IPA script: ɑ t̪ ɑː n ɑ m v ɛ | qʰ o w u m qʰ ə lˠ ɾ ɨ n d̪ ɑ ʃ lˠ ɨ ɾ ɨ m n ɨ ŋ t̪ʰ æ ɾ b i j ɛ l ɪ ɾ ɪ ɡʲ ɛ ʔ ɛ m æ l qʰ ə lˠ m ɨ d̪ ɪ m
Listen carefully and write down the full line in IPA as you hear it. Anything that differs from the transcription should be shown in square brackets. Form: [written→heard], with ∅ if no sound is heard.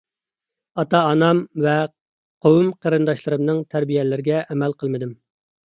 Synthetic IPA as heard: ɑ t̪ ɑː n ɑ m v ɛ | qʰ o w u m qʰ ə [lˠ→∅] ɾ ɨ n d̪ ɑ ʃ lˠ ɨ ɾ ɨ m n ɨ ŋ t̪ʰ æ ɾ b i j ɛ l ɪ ɾ ɪ ɡʲ ɛ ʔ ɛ m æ l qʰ ə lˠ m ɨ d̪ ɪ m